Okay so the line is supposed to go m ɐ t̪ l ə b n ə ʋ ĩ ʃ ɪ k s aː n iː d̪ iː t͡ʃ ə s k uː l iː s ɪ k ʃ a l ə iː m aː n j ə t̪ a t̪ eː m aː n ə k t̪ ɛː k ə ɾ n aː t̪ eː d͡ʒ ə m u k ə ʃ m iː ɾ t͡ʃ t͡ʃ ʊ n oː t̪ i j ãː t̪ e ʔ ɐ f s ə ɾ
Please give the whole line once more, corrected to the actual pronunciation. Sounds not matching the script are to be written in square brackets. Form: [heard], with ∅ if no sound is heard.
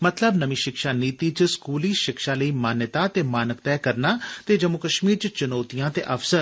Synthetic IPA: m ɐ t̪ l ə b n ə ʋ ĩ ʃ ɪ k [ʃ] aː n iː [t̪] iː t͡ʃ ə s k uː l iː [ʃ] ɪ k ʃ a l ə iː m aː n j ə t̪ a t̪ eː m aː n ə k t̪ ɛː k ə ɾ n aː t̪ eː d͡ʒ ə m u k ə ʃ m iː ɾ t͡ʃ t͡ʃ ʊ n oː t̪ i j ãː t̪ e ʔ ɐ f s ə ɾ